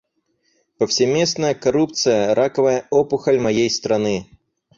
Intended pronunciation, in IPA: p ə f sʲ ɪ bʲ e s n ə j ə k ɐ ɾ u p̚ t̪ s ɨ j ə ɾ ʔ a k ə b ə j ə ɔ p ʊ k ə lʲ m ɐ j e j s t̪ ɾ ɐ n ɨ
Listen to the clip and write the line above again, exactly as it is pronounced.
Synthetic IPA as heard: p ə f sʲ ɪ mʲ e s n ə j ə k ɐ ɾ u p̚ t̪ s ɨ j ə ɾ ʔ a k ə v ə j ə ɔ p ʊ x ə lʲ m ɐ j e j s t̪ ɾ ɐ n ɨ

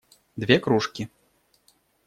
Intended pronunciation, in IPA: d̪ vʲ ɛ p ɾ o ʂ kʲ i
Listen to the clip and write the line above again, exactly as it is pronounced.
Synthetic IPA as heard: d̪ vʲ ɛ k ɾ u ʂ kʲ i

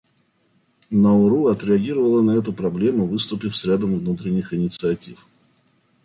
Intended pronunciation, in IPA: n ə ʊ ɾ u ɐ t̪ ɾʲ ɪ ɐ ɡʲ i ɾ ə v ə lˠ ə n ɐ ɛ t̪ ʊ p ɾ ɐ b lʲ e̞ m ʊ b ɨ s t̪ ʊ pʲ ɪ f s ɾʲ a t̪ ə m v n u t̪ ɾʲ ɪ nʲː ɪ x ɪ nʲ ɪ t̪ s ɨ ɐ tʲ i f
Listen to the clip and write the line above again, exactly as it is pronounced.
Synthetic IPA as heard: n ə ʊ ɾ u ɐ t̪ ɾʲ ɪ ɐ ɡʲ i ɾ ə v ə lˠ ə n ɐ ɛ t̪ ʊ p ɾ ɐ b lʲ e̞ m ʊ v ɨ s t̪ ʊ pʲ ɪ f s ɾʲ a d̪ ə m v n u t̪ ɾʲ ɪ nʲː ɪ x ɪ nʲ ɪ t̪ s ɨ ɐ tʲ i f

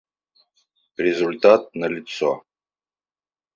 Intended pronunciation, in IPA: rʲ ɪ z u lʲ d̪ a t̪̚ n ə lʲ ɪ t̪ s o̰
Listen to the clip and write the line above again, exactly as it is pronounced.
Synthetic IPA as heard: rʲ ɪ z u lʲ t̪ a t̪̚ n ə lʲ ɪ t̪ s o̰

